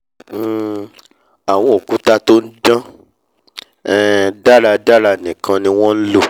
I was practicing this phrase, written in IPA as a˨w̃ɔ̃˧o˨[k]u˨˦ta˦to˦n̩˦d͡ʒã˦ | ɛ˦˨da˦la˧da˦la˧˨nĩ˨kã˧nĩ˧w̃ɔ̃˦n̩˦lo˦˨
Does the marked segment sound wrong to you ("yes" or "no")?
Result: no